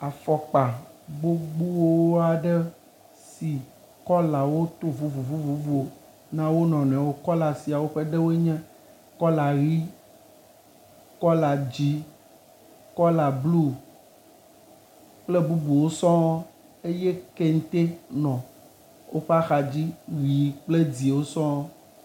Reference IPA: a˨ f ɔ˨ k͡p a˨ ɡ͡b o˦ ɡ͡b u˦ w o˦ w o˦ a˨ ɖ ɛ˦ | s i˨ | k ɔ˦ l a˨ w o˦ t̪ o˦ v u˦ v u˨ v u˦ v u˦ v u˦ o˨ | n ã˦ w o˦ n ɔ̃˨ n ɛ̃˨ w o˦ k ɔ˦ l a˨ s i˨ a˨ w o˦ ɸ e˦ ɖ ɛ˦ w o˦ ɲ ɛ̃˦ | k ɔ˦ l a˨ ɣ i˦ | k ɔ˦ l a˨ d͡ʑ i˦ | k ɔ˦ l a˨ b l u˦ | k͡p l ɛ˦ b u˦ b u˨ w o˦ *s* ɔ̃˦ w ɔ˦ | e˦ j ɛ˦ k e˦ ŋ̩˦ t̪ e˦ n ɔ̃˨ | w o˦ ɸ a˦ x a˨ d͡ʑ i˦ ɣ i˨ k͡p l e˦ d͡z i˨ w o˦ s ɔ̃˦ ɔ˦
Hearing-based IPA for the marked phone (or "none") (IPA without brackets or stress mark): s